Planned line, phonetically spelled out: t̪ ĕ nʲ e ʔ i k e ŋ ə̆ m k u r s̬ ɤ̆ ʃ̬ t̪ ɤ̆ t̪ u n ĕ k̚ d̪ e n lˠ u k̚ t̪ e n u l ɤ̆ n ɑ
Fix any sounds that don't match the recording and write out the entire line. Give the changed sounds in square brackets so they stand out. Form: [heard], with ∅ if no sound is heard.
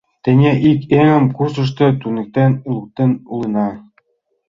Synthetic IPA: t̪ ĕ nʲ e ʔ i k e ŋ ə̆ m k u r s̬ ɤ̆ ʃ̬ t̪ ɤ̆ t̪ u n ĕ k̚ [t̪] e n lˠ u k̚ t̪ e n u l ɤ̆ n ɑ